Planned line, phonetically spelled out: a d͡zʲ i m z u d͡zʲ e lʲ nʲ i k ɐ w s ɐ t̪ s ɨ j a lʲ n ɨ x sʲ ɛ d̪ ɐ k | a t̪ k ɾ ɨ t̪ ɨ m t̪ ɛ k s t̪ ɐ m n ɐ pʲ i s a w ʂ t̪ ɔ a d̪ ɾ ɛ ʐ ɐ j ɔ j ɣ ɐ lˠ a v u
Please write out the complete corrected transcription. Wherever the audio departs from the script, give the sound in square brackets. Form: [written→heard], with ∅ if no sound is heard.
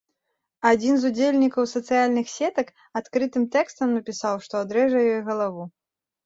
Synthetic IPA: a d͡zʲ i [m→n] z u d͡zʲ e lʲ nʲ i k ɐ w s ɐ t̪ s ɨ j a lʲ n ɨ x sʲ ɛ [d̪→t̪] ɐ k | a t̪ k ɾ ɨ t̪ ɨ m t̪ ɛ k s t̪ ɐ m n ɐ pʲ i s a w ʂ t̪ ɔ a d̪ ɾ ɛ ʐ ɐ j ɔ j ɣ ɐ lˠ a v u